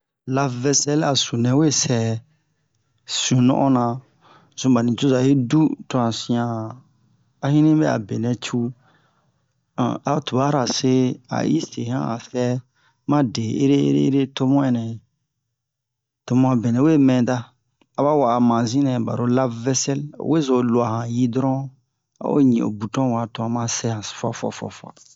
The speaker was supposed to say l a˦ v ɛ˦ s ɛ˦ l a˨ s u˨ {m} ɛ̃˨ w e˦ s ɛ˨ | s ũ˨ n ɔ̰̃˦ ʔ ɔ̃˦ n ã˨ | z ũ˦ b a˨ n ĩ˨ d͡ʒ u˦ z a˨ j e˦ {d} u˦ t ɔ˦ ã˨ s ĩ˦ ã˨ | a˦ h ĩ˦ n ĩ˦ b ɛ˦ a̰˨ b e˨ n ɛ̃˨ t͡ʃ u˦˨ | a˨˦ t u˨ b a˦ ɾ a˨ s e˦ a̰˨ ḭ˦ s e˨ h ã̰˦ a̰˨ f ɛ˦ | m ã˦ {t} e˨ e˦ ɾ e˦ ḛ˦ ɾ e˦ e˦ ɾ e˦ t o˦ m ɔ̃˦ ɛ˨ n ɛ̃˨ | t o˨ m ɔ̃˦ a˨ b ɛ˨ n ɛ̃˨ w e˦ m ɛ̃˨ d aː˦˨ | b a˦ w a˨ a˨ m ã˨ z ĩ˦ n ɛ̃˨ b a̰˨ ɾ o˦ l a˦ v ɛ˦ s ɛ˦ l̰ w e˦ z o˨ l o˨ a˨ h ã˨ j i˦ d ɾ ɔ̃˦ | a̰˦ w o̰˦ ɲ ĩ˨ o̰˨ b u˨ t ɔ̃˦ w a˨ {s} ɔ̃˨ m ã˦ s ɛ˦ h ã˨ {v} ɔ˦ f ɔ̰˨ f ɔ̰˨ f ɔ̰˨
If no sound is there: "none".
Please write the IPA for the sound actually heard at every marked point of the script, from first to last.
n, d, d, t, f

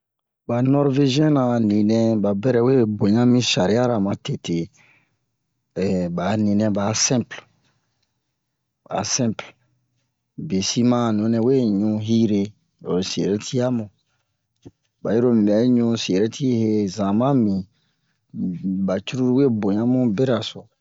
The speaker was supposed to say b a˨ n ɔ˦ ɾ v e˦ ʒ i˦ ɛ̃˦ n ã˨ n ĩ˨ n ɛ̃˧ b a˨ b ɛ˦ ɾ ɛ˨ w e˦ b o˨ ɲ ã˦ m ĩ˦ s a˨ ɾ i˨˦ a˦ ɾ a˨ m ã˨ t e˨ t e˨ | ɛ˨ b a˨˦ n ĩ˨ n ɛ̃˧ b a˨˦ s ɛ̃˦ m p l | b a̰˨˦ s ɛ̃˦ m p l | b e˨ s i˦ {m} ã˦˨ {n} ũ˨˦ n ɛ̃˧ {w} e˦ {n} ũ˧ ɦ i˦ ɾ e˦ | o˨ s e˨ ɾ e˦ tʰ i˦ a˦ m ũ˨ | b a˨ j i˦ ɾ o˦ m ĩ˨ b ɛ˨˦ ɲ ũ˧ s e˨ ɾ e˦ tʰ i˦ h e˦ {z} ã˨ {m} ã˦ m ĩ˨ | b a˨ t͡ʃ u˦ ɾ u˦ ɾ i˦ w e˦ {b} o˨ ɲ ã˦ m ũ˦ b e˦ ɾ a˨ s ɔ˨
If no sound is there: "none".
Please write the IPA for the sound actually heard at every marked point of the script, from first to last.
m, n, w, ɲ, z, m, b

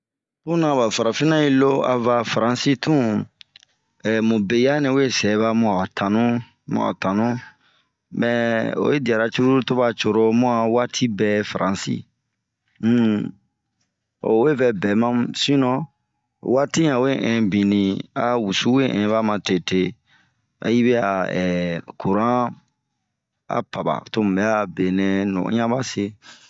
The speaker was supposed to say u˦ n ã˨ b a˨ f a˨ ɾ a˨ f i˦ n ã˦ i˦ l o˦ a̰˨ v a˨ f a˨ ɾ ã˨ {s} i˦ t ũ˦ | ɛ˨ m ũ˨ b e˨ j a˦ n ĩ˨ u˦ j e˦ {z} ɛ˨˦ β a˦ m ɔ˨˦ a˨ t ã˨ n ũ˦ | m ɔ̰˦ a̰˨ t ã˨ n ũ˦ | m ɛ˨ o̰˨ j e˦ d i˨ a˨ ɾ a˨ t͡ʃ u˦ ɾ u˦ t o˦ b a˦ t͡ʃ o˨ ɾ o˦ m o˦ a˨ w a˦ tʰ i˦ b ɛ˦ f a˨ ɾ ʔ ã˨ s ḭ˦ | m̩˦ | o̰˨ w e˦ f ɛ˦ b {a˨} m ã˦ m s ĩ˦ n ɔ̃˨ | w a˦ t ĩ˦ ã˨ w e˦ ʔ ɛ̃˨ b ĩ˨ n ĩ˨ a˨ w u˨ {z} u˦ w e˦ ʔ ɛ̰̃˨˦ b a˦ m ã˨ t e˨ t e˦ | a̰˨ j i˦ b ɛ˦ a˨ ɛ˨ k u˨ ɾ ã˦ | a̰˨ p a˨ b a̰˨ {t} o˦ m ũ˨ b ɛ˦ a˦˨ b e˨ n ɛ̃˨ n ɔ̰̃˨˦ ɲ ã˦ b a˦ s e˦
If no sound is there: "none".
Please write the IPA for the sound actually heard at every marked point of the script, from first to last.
s, s, ɛ˨, s, t

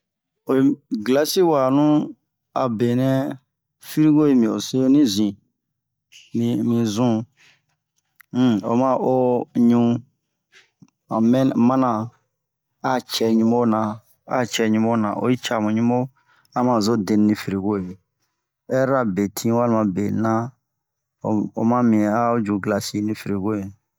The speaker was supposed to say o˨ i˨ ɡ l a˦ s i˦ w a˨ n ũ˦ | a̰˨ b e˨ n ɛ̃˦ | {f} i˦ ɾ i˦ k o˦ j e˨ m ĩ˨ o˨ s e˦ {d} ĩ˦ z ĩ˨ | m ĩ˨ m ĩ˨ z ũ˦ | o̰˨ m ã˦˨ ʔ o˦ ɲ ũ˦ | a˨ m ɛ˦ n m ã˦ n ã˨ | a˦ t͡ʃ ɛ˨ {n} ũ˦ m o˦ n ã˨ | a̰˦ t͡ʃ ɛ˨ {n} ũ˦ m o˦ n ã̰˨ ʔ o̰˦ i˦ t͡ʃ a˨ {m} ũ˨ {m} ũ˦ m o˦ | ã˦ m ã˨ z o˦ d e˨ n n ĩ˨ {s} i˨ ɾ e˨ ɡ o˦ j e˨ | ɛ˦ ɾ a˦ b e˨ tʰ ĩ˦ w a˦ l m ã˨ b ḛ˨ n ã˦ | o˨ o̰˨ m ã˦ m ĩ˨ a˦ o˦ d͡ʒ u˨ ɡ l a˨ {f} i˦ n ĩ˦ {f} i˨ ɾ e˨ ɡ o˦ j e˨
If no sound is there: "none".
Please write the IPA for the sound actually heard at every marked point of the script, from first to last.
f, n, ɲ, ɲ, m, ɲ, f, s, f

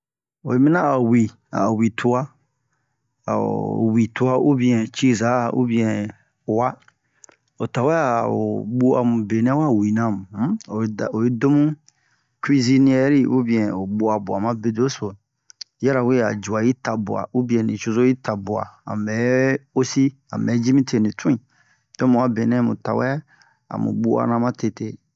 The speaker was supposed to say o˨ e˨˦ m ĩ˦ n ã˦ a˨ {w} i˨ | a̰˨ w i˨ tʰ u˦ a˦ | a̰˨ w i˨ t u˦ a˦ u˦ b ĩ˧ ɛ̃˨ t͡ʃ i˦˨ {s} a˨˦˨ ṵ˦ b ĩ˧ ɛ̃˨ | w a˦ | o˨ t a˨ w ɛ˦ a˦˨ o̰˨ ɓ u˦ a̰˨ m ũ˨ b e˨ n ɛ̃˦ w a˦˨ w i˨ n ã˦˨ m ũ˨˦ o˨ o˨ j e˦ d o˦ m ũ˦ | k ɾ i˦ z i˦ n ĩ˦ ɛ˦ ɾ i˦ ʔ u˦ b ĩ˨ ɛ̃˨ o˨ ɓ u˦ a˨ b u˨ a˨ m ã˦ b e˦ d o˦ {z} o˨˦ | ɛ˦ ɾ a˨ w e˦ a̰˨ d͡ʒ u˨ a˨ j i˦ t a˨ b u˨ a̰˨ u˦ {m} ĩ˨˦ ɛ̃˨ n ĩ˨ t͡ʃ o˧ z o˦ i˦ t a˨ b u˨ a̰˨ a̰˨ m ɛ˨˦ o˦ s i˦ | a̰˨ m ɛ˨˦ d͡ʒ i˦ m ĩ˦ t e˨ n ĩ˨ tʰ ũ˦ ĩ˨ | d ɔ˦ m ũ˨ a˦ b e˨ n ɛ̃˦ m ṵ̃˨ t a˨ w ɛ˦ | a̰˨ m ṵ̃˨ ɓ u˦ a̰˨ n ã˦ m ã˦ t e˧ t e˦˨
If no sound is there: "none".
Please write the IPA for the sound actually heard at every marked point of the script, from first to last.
w, z, s, b

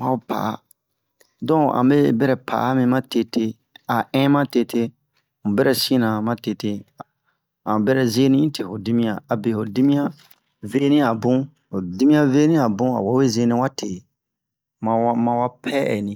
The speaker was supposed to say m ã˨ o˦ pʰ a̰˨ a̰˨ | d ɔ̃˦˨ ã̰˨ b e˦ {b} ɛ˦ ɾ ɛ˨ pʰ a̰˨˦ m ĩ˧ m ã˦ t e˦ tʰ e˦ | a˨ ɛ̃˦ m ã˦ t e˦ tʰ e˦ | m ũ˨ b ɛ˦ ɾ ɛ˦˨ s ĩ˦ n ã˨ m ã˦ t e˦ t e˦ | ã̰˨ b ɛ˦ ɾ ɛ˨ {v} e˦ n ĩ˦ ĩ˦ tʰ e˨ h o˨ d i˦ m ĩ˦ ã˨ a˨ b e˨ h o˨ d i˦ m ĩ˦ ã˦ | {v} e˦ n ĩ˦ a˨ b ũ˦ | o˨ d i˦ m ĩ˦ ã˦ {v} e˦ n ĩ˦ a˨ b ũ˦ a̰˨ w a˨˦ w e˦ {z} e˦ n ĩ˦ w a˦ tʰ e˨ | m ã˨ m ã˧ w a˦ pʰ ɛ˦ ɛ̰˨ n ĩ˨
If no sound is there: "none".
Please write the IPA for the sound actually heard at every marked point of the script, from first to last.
b, z, v, v, z

